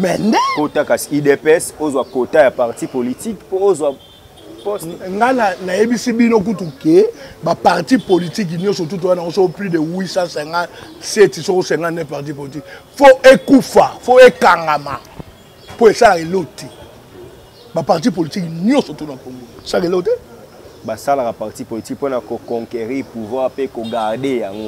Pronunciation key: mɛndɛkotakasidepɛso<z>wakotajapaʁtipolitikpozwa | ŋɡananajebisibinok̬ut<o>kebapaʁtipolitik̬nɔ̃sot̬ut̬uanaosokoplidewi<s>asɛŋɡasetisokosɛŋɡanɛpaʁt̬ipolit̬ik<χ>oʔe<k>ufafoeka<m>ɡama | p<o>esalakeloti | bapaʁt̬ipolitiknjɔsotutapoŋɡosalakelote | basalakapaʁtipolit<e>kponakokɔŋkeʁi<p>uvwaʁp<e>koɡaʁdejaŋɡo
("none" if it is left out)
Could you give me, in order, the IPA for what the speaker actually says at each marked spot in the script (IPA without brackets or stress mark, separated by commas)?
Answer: z, u, s, f, k, ŋ, o, i, p, e